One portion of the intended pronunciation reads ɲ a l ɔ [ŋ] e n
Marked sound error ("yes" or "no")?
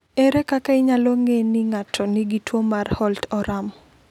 no